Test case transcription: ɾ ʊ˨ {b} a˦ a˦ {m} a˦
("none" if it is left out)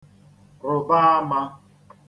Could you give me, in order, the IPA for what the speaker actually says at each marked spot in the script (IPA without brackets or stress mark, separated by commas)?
b, m